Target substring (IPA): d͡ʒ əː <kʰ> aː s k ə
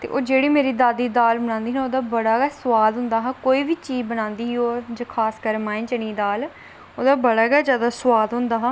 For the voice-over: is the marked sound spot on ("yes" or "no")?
yes